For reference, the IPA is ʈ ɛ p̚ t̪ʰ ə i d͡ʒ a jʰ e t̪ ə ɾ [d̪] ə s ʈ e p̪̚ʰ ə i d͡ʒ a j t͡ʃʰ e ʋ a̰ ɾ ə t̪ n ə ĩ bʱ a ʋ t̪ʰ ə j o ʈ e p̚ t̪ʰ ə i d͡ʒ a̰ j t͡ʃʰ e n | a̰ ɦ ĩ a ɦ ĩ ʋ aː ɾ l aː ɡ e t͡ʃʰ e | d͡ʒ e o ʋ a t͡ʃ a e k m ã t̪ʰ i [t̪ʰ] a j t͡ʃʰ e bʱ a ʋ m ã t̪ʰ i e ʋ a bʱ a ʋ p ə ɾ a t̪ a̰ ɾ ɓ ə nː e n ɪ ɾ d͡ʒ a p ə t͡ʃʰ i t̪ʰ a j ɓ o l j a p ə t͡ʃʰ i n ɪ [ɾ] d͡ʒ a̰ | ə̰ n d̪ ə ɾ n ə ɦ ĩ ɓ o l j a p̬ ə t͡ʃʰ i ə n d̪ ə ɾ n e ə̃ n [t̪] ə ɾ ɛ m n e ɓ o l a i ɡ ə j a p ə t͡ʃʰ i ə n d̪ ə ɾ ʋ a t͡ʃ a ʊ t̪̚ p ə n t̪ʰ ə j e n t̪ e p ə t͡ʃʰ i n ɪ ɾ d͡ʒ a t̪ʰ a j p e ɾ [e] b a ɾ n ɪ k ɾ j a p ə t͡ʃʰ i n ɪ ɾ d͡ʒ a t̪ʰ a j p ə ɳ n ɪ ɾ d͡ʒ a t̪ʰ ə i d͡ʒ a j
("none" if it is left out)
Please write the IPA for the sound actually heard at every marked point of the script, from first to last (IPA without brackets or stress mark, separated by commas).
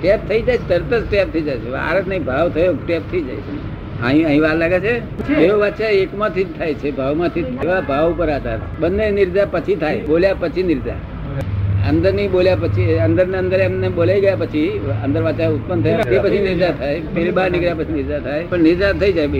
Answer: t̪, t̪ʰ, ɾ, d̪, i